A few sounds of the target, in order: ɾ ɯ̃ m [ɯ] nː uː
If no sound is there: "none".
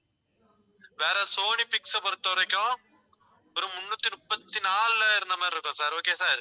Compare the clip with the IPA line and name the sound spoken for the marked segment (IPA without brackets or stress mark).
ʊ